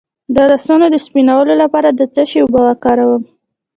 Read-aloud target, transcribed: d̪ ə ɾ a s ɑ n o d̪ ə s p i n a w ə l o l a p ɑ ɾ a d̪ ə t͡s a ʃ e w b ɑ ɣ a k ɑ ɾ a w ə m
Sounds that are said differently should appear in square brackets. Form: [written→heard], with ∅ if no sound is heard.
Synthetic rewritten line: d̪ ə ɾ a s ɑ n o d̪ ə s p i n a w ə l o l a p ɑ ɾ a d̪ ə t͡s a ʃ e w b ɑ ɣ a k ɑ ɾ a w ə m